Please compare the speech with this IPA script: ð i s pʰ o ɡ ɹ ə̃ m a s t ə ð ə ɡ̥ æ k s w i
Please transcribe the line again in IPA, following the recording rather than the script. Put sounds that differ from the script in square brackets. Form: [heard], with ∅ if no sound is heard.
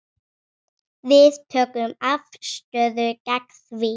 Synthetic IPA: ð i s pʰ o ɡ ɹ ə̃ m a [f] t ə ð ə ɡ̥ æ k s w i